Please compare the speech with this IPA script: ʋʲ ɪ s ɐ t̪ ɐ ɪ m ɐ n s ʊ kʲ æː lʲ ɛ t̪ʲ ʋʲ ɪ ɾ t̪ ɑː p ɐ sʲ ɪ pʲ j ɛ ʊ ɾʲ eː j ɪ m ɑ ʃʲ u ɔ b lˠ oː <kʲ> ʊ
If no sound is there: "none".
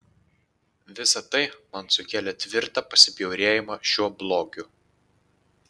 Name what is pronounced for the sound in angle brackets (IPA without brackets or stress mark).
ɡʲ